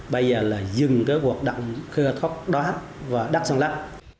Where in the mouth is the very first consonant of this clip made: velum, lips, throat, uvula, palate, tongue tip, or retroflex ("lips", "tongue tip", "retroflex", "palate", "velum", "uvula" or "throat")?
lips